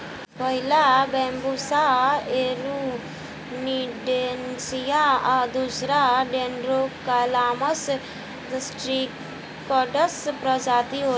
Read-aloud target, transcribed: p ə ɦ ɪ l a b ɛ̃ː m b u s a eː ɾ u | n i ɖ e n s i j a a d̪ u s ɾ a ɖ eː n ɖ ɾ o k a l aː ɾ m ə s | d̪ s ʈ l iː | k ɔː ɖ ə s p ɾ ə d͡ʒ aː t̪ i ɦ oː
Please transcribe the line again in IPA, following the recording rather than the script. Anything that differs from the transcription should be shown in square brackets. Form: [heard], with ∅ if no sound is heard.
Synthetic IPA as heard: p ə ɦ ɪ l a b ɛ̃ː m b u s a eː ɾ u | n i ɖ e n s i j a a d̪ u s ɾ a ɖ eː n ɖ ɾ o k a l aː [∅] m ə s | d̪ s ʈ [ɾ] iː | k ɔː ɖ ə s p ɾ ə d͡ʒ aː t̪ i ɦ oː

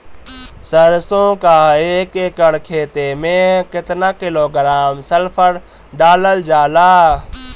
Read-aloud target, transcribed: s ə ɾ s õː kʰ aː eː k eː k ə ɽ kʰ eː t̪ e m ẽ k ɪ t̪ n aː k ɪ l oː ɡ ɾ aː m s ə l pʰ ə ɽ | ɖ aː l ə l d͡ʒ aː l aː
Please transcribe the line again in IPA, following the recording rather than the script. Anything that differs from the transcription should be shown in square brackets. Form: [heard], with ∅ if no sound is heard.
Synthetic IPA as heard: s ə ɾ s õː [k] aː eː k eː k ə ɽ kʰ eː t̪ e m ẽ k ɪ t̪ n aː k ɪ l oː ɡ ɾ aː m s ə l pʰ ə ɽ | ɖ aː l ə l d͡ʒ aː l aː

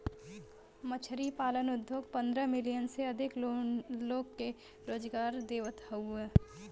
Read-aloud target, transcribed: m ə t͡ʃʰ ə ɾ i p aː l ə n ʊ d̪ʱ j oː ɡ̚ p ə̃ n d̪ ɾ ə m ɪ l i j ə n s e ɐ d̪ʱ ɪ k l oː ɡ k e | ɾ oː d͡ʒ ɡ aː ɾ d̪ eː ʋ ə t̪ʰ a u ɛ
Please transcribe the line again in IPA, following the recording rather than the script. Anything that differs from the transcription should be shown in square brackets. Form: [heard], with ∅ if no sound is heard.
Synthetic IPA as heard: m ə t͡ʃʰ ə ɾ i p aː l ə n ʊ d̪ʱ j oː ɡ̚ p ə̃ n d̪ ɾ ə m ɪ l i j ə n s e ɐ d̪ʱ ɪ k l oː ɡ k e | ɾ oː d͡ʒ ɡ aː ɾ d̪ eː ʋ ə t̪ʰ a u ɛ

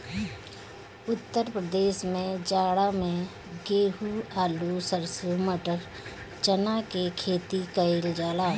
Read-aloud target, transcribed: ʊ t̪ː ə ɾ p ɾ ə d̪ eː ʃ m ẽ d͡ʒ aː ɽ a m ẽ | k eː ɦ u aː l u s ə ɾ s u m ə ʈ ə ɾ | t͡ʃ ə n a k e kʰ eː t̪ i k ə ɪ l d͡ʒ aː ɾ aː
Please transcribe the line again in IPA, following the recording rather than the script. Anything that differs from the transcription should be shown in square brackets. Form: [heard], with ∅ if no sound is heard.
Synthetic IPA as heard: ʊ t̪ː ə ɾ p ɾ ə d̪ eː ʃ m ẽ d͡ʒ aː ɽ a m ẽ | [ɡ] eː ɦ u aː l u s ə ɾ s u m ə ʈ ə ɾ | t͡ʃ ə n a k e kʰ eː t̪ i k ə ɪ l d͡ʒ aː [l] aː

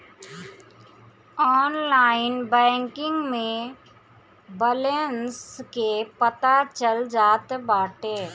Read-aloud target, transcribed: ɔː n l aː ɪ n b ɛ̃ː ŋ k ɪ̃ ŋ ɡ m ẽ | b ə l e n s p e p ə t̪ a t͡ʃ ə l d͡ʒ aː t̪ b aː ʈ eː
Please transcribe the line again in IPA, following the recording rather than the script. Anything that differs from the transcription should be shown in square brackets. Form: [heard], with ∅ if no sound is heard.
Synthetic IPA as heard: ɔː n l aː ɪ n b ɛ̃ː ŋ k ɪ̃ ŋ ɡ m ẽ | b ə l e n s [k] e p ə t̪ a t͡ʃ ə l d͡ʒ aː t̪ b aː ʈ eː

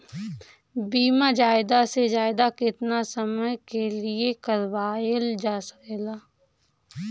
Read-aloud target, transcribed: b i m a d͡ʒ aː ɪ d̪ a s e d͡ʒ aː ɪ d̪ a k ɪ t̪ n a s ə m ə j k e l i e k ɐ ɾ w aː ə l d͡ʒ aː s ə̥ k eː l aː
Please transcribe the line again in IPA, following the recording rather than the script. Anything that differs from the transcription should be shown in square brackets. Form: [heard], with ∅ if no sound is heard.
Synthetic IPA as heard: b [iː] m a d͡ʒ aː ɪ d̪ a s e d͡ʒ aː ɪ d̪ a k ɪ t̪ n a s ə m ə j k e l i e k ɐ ɾ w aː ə l d͡ʒ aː s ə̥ k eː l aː

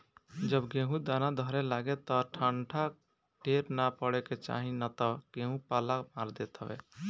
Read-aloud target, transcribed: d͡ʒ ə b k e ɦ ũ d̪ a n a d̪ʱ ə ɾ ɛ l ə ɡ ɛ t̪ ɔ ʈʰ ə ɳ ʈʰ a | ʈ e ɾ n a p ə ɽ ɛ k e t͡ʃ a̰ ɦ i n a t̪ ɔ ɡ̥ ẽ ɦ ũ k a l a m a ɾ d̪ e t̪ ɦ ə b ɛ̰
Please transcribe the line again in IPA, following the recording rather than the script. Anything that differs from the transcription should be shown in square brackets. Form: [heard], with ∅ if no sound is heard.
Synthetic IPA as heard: d͡ʒ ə b [ɡ] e ɦ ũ d̪ a n a d̪ʱ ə ɾ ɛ l [a] ɡ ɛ t̪ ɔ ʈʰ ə ɳ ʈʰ a | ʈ e ɾ n a p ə ɽ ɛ k e t͡ʃ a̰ ɦ i n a t̪ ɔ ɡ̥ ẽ ɦ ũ [p] a l a m a ɾ d̪ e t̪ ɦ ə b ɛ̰

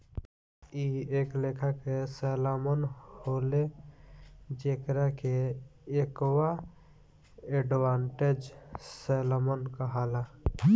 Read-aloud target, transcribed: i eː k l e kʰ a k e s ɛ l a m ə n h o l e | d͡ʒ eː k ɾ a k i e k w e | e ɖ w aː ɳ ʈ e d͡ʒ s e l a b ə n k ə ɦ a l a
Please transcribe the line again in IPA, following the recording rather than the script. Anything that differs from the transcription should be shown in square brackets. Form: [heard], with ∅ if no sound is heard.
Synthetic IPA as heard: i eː k l e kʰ a k e s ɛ l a m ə n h o l e | d͡ʒ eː k ɾ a k [e] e k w [a] | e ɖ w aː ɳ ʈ e d͡ʒ s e l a [m] ə n k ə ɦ a l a

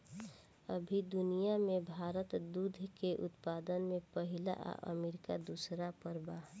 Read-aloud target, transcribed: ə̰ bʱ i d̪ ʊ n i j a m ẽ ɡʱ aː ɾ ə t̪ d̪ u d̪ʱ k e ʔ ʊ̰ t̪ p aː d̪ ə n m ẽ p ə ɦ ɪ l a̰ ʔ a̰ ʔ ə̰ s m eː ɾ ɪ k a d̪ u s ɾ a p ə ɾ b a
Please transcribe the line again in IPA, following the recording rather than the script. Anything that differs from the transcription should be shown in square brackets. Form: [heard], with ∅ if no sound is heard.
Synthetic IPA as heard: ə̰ bʱ i d̪ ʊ n i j a m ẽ [bʱ] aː ɾ ə t̪ d̪ u d̪ʱ k e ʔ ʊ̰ t̪ p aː d̪ ə n m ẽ p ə ɦ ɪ l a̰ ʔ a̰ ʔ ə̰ [∅] m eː ɾ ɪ k a d̪ u s ɾ a p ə ɾ b a

